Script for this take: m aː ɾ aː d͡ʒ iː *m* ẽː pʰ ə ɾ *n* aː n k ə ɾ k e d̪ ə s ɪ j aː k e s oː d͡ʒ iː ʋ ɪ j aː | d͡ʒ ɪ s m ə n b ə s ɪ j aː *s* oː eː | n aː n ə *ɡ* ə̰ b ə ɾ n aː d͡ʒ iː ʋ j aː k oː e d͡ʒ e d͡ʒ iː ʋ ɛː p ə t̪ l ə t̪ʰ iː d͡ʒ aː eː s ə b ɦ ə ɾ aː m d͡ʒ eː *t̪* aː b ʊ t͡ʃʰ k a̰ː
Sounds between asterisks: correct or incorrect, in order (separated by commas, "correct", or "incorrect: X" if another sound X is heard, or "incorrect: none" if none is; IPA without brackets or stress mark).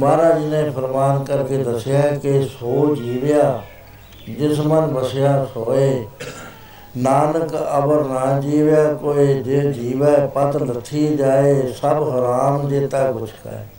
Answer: incorrect: n, incorrect: m, correct, incorrect: k, correct